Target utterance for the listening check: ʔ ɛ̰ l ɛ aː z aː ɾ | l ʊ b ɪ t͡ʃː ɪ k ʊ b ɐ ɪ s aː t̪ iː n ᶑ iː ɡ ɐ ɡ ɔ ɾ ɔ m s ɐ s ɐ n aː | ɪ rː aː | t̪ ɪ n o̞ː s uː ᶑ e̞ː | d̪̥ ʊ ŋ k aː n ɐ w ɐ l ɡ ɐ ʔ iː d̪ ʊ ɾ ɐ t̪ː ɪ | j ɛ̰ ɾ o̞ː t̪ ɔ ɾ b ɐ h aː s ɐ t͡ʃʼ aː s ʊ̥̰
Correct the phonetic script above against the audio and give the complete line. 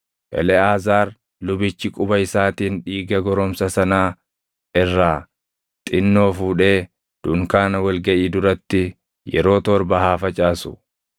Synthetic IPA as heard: ʔ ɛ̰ l ɛ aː z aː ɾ | l ʊ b ɪ t͡ʃː ɪ kʼ ʊ b ɐ ɪ s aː t̪ iː n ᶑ iː ɡ ɐ ɡ ɔ ɾ ɔ m s ɐ s ɐ n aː | ɪ rː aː | t̪ʼ ɪ nː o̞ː f uː ᶑ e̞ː | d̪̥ ʊ ŋ k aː n ɐ w ɐ l ɡ ɐ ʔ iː d̪ ʊ ɾ ɐ t̪ː ɪ | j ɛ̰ ɾ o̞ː t̪ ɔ ɾ b ɐ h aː f ɐ t͡ʃʼ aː s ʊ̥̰